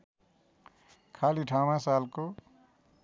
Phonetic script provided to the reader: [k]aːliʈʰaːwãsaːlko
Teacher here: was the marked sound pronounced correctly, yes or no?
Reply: no